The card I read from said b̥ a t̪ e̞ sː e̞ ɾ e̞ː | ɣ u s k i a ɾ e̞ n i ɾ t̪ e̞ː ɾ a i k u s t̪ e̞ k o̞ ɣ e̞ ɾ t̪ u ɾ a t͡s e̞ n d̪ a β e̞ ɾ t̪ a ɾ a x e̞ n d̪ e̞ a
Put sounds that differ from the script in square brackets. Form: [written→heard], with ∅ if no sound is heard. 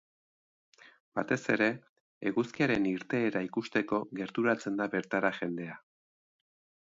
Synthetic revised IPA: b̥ a t̪ e̞ [sː→s] e̞ ɾ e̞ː | ɣ u s k i a ɾ e̞ n i ɾ t̪ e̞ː ɾ a i k u s t̪ e̞ k o̞ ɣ e̞ ɾ t̪ u ɾ a t͡s e̞ n d̪ a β e̞ ɾ t̪ a ɾ a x e̞ n d̪ e̞ a